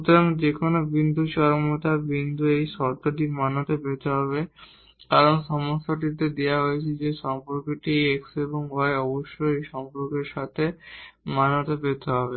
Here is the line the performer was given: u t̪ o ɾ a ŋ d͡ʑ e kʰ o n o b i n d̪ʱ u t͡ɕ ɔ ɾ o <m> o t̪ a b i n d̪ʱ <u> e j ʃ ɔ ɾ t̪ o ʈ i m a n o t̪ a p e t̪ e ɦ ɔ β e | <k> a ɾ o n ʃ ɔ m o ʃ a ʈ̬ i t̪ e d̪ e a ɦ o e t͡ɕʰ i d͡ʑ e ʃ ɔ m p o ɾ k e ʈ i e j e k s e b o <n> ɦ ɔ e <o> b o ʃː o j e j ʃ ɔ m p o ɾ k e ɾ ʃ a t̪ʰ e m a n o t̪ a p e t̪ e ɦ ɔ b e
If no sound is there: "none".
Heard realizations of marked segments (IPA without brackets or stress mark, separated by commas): m, u, k, ŋ, ɔ